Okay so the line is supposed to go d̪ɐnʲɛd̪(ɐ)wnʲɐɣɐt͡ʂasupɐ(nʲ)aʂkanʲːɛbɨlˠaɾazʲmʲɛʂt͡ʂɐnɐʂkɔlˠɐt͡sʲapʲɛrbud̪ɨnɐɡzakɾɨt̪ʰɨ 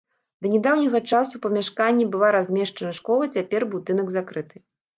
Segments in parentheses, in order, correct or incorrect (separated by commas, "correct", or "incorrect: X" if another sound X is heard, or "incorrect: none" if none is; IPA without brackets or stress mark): incorrect: a, incorrect: mʲ